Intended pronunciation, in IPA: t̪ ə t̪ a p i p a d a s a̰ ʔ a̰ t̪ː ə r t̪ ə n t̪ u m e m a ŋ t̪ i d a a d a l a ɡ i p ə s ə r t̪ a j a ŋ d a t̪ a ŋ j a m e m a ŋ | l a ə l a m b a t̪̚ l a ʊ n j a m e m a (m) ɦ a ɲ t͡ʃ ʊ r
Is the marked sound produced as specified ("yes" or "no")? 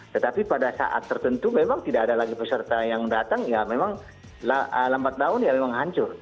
no